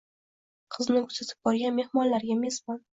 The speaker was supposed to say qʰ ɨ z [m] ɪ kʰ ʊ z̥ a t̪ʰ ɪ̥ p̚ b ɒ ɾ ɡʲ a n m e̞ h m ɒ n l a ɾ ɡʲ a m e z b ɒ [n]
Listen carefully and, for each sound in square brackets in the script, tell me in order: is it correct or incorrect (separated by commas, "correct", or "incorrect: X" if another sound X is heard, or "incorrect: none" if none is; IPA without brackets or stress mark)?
incorrect: n, correct